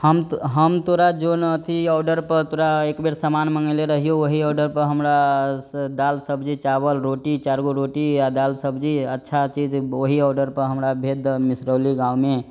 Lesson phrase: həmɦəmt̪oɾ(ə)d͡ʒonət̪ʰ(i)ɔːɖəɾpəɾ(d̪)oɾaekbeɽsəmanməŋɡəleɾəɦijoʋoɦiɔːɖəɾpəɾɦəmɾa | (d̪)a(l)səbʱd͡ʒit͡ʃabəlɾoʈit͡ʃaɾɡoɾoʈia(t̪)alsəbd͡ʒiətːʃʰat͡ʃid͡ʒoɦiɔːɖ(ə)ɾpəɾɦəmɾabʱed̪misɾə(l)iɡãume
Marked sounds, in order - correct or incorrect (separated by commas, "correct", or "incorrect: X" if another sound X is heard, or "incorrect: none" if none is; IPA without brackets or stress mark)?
incorrect: a, correct, incorrect: t̪, correct, correct, incorrect: d̪, correct, correct